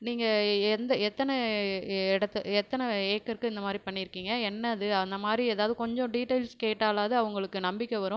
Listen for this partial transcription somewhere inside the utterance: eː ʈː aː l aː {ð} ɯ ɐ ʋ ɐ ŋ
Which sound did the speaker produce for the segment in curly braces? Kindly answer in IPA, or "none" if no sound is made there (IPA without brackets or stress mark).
ð